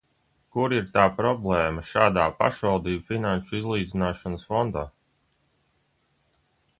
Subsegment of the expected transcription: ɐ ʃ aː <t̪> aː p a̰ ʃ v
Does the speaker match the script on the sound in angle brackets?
no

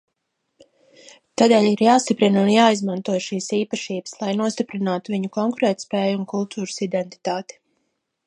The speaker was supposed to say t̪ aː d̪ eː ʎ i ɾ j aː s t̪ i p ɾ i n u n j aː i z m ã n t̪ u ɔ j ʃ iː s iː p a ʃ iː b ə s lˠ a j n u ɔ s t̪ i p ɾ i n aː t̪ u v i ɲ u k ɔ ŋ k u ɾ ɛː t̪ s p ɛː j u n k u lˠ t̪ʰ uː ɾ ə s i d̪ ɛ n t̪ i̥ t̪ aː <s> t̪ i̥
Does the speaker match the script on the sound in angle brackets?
no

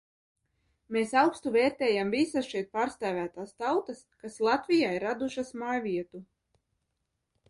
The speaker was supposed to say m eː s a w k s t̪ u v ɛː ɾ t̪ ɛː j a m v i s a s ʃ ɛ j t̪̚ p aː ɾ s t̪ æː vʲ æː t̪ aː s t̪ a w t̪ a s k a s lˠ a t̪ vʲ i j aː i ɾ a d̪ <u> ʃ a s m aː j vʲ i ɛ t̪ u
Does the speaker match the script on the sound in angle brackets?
yes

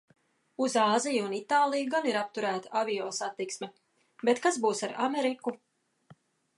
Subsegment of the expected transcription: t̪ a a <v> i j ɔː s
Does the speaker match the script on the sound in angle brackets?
yes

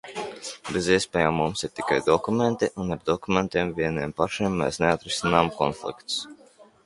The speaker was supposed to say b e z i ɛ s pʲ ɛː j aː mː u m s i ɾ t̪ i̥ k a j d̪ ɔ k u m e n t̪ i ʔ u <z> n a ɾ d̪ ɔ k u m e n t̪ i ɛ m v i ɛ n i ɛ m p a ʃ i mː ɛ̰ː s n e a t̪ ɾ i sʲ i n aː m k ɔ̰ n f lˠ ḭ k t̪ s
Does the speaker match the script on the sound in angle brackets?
no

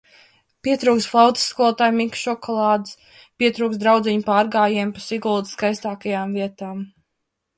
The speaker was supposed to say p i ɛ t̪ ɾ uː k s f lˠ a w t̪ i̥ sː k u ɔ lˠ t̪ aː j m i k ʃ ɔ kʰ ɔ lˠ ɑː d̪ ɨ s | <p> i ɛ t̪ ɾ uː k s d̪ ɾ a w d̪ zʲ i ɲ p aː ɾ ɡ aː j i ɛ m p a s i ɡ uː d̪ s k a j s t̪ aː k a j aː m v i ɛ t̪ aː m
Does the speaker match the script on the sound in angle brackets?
yes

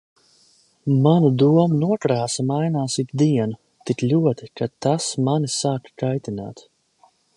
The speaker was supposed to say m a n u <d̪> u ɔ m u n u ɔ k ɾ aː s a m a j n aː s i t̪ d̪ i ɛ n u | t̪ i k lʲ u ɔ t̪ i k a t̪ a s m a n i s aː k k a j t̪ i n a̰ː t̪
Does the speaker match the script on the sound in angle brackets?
yes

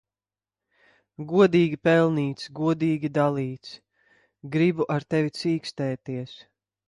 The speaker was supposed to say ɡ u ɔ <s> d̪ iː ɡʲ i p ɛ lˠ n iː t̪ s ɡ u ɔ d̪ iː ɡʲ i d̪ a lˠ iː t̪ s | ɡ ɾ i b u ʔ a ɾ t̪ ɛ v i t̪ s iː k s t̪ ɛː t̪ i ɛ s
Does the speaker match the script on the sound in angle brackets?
no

